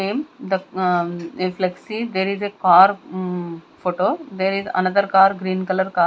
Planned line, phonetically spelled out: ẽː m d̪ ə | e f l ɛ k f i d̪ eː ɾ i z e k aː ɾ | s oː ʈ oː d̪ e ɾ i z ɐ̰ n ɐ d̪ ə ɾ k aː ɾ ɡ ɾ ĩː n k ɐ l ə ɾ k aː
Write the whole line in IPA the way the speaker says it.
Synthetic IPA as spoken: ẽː m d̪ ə | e f l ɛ k s i d̪ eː ɾ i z e k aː ɾ | f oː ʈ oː d̪ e ɾ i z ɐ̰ n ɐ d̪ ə ɾ k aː ɾ ɡ ɾ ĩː n k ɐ l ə ɾ k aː